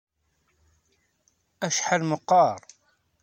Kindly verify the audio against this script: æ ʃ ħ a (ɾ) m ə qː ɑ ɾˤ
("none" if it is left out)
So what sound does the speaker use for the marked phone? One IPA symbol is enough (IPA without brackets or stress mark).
l